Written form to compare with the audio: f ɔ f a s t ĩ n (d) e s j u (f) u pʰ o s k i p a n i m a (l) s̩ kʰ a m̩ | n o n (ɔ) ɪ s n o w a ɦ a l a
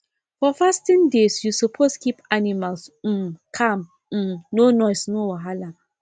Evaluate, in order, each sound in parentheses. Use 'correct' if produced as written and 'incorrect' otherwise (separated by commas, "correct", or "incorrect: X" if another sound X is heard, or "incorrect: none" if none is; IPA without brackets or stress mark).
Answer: correct, incorrect: s, correct, correct